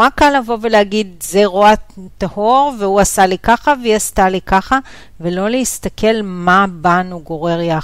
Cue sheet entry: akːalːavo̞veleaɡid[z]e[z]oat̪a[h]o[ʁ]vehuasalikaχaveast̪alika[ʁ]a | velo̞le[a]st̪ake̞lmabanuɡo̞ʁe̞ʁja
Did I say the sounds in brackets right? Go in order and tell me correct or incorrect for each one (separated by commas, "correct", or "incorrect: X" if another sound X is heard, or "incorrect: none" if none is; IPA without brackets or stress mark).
correct, incorrect: ʁ, correct, correct, incorrect: χ, incorrect: i